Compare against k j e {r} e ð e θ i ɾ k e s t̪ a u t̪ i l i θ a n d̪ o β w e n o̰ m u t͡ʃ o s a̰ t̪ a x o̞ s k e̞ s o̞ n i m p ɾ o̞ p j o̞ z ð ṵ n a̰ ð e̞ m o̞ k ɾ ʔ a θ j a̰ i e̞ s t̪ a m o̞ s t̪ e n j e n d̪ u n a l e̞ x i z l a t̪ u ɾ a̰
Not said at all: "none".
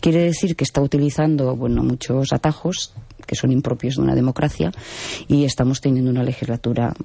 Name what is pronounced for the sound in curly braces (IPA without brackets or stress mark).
ɾ